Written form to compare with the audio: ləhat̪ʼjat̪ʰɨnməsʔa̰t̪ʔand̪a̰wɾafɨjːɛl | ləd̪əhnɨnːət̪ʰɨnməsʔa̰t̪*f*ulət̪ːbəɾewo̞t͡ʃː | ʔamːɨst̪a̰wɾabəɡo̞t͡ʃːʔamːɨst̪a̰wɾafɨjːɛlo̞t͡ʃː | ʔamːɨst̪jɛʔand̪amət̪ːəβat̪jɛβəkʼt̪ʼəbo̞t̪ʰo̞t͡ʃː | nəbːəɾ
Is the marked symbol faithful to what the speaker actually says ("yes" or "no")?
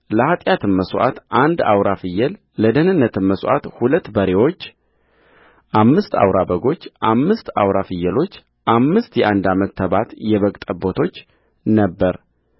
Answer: no